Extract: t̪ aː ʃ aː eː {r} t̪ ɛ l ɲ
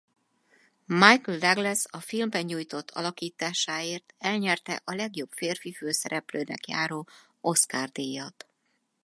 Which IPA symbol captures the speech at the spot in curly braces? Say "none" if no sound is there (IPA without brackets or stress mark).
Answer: r